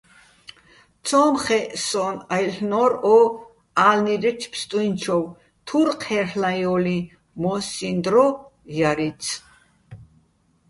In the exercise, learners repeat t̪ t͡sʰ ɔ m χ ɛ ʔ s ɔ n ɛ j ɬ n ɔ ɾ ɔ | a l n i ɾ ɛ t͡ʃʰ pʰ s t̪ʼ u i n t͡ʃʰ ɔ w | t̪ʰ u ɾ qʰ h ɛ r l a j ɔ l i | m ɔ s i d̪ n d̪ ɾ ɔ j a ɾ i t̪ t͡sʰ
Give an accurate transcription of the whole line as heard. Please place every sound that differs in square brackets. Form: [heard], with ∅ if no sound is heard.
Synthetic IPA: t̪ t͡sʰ ɔ m χ ɛ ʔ s ɔ n [a] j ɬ n ɔ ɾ ɔ | a l n i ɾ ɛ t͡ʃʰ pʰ s t̪ʼ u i n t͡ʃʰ ɔ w | t̪ʰ u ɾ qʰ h ɛ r l a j ɔ l i | m ɔ s i [∅] n d̪ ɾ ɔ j a ɾ i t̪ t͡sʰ